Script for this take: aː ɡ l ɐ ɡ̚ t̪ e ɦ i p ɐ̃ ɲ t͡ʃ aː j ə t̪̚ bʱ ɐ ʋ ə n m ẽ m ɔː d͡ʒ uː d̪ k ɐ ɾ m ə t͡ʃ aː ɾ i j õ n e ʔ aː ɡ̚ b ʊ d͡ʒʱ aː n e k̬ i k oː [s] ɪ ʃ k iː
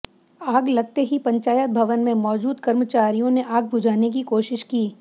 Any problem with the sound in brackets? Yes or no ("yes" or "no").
yes